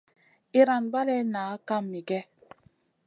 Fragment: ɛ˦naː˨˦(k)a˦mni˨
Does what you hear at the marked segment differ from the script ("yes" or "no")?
no